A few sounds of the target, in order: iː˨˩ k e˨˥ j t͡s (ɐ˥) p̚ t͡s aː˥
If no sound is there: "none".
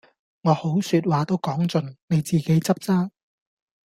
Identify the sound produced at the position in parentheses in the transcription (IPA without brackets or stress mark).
ɐ˥